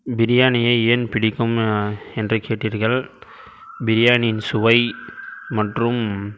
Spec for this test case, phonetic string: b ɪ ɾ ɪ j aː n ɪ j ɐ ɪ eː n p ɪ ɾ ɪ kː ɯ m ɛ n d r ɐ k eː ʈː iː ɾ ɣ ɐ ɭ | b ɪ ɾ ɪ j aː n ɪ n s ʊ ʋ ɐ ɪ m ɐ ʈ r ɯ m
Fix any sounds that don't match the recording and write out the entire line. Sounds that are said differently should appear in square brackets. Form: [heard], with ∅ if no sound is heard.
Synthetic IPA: b ɪ ɾ ɪ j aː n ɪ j ɐ ɪ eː n p ɪ [ɽ] ɪ kː ɯ m ɛ n d r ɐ k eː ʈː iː ɾ ɣ ɐ ɭ | b ɪ ɾ ɪ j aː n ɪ n s ʊ ʋ ɐ ɪ m ɐ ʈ r ɯ m